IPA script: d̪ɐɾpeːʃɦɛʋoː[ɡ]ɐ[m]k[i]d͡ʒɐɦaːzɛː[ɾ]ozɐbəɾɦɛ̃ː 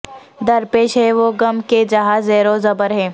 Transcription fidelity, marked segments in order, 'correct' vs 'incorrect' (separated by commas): correct, correct, incorrect, correct